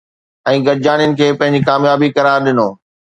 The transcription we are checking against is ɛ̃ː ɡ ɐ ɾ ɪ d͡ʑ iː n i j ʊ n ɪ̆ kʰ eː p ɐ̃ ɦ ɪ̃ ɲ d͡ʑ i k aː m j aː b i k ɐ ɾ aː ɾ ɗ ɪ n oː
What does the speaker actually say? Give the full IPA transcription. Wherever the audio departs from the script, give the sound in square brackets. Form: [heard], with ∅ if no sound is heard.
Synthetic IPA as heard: ɛ̃ː ɡ ɐ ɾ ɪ d͡ʑ [aː] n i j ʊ n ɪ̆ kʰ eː p ɐ̃ ɦ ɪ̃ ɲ d͡ʑ i k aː m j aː b i k ɐ ɾ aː ɾ ɗ ɪ n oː